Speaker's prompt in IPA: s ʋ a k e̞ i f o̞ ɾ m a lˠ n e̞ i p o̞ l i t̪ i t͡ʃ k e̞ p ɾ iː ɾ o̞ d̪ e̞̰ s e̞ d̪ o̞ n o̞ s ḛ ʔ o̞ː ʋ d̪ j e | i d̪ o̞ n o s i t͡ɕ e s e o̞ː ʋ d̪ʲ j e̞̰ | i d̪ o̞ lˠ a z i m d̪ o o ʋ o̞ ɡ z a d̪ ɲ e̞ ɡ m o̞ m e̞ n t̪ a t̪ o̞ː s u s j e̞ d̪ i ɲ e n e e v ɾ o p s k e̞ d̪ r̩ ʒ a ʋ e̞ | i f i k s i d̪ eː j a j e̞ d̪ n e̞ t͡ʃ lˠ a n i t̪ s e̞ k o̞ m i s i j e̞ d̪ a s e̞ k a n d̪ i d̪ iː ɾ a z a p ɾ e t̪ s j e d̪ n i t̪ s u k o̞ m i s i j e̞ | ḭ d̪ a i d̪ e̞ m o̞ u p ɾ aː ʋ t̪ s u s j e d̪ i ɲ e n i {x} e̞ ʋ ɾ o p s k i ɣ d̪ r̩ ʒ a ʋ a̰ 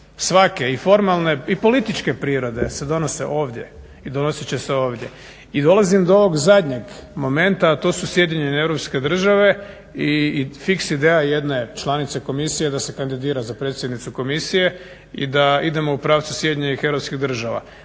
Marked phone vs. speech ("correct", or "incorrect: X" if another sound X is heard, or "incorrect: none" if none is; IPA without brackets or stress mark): correct